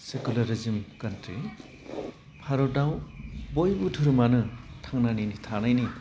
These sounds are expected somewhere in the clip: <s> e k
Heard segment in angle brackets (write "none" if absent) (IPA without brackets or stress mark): s